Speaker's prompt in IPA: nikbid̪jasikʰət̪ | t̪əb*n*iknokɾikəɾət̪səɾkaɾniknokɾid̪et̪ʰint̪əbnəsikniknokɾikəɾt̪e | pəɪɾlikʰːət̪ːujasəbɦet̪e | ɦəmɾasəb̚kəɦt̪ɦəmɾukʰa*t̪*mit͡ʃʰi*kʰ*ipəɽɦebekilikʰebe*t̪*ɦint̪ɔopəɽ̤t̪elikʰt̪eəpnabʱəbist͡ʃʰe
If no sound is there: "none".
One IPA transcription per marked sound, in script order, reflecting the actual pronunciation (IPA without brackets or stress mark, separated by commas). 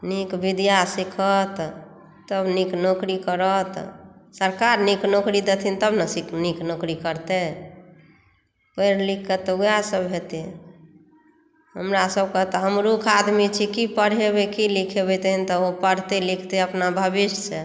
n, d̪, k, t̪